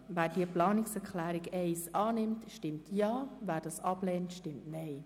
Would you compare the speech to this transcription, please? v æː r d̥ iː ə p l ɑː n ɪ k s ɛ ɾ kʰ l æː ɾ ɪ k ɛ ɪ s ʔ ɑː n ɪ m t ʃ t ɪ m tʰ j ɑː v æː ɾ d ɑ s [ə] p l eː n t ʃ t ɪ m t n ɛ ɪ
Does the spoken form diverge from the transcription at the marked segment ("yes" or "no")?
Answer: yes